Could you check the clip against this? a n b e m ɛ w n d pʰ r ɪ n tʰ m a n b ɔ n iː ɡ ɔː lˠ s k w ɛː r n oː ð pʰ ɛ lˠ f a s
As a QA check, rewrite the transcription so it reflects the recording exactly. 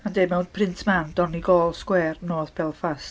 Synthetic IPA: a n d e m ɛ w n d pʰ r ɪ n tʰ m a n d ɔ n i ɡ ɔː lˠ s k w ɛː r n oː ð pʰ ɛ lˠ f a s